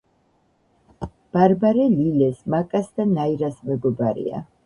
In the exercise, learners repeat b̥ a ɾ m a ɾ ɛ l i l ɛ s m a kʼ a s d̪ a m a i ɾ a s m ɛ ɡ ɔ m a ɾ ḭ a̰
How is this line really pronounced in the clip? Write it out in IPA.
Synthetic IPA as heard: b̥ a ɾ b a ɾ ɛ l i l ɛ s m a kʼ a s d̪ a n a i ɾ a s m ɛ ɡ ɔ b a ɾ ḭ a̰